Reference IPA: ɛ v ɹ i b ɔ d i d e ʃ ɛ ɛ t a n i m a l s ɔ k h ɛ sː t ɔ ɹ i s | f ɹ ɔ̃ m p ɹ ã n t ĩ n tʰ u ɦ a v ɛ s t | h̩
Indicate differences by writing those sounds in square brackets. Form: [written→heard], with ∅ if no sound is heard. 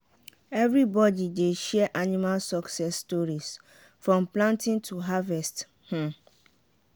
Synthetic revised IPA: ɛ v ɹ i b ɔ d i d e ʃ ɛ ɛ [t→ʔ] a n i m a l s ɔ k [h→s] ɛ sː t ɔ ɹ i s | f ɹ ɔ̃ m p [ɹ→l] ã n t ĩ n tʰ u ɦ a v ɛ s t | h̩